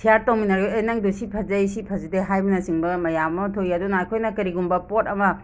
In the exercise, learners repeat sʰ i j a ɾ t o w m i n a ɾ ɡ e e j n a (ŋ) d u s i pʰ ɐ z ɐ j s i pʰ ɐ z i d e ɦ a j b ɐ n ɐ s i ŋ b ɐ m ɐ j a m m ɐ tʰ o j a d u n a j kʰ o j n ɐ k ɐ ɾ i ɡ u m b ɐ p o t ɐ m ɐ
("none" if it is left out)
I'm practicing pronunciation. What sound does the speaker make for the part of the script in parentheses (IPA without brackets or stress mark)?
ŋ